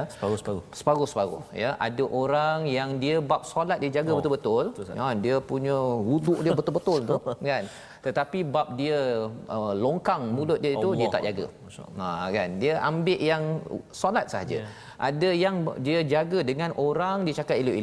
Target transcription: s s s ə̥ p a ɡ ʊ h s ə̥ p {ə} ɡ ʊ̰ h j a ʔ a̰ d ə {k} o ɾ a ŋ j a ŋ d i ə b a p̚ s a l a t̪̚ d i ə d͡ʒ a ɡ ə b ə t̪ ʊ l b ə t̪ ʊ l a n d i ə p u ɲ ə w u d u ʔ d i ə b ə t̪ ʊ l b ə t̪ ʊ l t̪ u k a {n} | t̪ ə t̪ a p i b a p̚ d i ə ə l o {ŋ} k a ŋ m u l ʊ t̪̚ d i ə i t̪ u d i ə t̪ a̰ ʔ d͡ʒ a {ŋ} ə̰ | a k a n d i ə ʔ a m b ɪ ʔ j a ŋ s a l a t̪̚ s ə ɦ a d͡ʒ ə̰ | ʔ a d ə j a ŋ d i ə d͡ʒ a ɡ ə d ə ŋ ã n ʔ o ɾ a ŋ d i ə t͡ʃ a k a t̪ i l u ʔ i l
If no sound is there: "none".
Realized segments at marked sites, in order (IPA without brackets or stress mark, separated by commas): a, ʔ, n, ŋ, ɡ